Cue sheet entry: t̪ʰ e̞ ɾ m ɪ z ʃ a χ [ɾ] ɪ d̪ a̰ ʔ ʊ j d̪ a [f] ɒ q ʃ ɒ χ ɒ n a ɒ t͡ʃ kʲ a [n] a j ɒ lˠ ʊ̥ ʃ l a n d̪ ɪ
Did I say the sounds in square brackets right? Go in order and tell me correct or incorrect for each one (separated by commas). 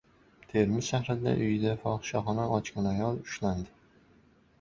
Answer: correct, correct, correct